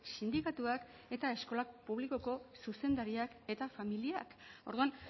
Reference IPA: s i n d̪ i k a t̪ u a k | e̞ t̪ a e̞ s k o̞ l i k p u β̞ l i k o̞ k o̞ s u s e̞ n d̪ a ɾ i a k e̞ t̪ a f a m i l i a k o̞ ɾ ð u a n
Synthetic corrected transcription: s i n d̪ i k a t̪ u a k | e̞ t̪ a e̞ s k o̞ l a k p u β̞ l i k o̞ k o̞ s u s e̞ n d̪ a ɾ i a k e̞ t̪ a f a m i l i a k o̞ ɾ ð u a n